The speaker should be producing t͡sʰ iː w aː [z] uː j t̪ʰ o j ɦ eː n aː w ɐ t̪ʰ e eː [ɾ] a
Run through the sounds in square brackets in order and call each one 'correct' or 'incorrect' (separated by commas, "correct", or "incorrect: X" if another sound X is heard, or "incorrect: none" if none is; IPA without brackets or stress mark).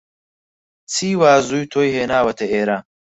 correct, correct